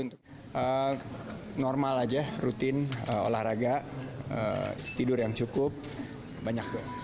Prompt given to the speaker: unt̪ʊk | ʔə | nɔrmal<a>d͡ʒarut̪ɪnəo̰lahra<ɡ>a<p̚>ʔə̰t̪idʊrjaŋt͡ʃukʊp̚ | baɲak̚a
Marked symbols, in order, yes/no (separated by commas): yes, yes, no